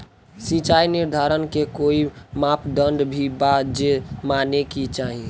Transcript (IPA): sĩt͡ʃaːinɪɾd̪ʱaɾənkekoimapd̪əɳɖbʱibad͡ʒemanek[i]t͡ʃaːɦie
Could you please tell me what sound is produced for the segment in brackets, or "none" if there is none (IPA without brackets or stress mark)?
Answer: i